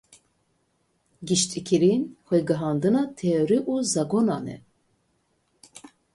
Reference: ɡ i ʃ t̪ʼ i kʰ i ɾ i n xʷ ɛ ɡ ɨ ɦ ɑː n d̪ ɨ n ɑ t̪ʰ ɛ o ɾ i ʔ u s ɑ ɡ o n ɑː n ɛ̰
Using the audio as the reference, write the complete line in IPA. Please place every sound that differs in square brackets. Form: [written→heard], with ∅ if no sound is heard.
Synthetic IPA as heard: ɡ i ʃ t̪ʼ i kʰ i ɾ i n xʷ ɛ ɡ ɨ ɦ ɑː n d̪ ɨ n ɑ t̪ʰ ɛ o ɾ i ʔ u [s→z] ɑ ɡ o n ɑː n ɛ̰